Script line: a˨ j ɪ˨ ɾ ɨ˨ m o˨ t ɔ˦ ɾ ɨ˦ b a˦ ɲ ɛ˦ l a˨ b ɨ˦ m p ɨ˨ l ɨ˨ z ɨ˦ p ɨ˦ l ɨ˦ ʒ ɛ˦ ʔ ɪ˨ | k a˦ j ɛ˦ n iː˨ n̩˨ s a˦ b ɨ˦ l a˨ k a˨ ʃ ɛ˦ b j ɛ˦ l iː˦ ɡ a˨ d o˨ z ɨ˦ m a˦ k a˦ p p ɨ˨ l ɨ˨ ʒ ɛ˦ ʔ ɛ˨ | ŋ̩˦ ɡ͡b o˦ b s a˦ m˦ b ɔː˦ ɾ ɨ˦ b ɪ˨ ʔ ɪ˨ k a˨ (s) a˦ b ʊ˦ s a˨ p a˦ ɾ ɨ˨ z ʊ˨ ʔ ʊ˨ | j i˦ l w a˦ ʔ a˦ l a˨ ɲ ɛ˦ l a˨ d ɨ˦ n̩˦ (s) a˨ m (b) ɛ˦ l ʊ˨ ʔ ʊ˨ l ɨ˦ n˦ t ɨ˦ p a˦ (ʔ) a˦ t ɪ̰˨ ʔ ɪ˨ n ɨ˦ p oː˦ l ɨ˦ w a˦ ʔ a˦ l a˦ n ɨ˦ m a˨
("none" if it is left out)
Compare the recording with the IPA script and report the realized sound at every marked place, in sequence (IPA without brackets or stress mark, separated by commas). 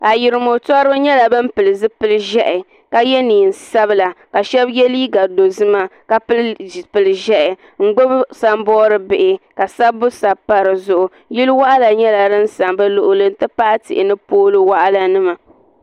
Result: s, s, b, ʔ